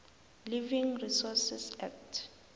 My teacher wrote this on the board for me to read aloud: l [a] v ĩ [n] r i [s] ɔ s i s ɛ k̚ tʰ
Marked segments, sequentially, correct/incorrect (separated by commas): incorrect, incorrect, correct